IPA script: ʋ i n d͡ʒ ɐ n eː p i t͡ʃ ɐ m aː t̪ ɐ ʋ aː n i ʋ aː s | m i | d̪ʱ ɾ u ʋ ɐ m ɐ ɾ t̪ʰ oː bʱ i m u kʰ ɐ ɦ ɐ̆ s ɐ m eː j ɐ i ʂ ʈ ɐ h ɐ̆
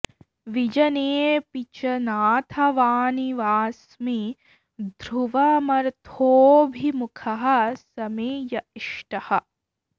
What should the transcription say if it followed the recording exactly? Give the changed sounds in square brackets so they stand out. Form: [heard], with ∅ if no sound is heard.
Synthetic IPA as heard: ʋ i [∅] d͡ʒ ɐ n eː p i t͡ʃ ɐ [n] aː [t̪ʰ] ɐ ʋ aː n i ʋ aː s | m i | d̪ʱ ɾ u ʋ ɐ m ɐ ɾ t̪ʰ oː bʱ i m u kʰ ɐ ɦ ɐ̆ s ɐ m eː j ɐ i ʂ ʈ ɐ h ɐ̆